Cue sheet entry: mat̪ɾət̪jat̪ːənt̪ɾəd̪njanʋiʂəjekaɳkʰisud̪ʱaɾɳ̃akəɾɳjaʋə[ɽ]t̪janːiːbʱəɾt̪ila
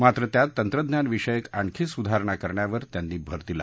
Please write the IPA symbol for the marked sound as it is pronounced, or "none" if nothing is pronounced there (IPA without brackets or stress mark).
ɾ